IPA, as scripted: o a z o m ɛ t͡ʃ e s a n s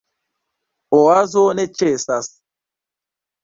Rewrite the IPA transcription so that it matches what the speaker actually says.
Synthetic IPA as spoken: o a z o n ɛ t͡ʃ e s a s